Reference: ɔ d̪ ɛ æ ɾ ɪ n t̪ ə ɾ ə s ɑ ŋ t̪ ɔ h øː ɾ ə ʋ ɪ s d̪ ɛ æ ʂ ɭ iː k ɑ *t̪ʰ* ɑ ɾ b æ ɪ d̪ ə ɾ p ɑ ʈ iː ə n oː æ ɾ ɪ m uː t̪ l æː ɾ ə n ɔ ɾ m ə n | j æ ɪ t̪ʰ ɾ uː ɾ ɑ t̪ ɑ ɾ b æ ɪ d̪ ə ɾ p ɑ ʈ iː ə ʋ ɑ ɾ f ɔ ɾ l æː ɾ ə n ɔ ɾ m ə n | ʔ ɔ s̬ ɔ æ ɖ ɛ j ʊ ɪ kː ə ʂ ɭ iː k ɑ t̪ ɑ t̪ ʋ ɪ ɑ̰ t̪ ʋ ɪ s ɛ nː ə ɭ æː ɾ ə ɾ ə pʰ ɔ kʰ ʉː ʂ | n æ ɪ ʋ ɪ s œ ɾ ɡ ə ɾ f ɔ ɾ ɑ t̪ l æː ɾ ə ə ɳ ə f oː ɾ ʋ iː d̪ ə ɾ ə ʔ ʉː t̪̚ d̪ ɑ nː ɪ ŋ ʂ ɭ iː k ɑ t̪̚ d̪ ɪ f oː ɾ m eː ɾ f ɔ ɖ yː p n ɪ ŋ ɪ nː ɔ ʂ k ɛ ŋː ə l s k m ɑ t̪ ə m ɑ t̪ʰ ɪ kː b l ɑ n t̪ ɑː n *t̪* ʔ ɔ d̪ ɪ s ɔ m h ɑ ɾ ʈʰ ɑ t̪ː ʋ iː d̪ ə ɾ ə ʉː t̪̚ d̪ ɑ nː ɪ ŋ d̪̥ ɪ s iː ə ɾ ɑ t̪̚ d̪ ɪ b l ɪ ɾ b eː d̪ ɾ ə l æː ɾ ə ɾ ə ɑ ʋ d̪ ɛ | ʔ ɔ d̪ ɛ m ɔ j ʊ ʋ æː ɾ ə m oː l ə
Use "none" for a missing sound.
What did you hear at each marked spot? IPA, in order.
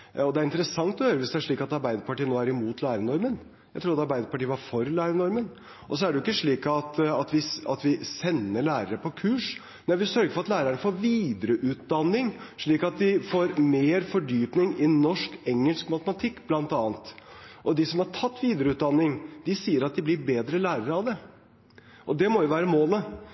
t̪, t̪

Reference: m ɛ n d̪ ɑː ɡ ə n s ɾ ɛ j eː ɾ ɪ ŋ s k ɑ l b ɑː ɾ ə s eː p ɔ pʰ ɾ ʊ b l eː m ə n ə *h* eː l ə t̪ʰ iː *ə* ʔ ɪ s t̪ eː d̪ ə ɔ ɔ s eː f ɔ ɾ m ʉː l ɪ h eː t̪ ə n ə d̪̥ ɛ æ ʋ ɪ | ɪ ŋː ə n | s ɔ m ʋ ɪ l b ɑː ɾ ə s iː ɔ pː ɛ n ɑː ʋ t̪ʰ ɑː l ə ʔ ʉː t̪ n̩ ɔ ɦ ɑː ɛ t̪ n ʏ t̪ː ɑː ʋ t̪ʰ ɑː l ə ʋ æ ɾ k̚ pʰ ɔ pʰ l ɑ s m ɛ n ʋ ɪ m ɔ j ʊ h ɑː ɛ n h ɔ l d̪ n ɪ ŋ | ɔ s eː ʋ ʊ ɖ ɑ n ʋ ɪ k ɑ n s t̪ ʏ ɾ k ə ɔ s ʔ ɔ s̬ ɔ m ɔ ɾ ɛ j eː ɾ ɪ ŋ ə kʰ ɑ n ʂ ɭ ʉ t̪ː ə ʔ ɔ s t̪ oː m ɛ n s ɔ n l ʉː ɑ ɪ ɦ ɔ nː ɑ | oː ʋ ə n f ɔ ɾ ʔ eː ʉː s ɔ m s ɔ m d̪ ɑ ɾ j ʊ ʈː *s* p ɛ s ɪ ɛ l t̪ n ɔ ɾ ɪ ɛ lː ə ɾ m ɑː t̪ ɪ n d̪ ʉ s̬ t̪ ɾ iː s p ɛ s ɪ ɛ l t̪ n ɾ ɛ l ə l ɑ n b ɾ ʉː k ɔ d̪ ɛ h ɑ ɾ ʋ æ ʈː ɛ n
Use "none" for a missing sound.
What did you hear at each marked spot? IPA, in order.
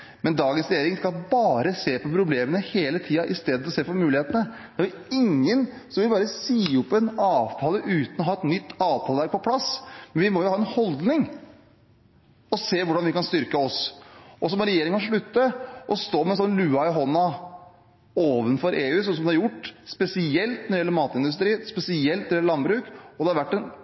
h, ɑ, s

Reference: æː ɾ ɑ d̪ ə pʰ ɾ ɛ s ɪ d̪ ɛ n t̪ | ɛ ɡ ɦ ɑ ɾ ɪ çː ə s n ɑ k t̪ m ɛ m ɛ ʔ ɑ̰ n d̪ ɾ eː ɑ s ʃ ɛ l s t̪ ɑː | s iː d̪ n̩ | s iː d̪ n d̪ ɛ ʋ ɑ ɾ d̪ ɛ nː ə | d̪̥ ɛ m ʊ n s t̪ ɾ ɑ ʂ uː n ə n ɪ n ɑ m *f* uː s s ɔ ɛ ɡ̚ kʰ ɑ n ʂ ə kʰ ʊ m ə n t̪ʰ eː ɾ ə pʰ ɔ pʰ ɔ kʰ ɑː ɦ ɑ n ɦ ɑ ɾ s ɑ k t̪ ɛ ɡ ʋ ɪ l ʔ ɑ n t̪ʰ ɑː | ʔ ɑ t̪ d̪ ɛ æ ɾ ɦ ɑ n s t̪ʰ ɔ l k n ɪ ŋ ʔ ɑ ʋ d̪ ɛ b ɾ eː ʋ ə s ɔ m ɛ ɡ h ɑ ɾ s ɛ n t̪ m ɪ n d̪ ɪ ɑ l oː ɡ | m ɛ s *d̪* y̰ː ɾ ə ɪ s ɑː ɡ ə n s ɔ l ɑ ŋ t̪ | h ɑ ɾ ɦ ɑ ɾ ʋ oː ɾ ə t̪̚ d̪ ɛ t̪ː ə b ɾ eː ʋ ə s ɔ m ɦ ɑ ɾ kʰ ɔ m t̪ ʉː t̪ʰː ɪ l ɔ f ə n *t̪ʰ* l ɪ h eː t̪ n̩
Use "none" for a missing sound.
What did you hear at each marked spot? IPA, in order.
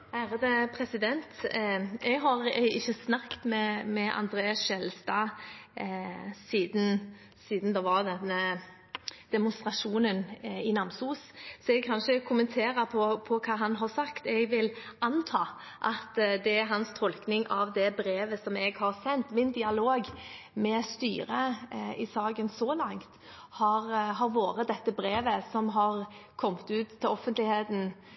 s, t̪, t̪

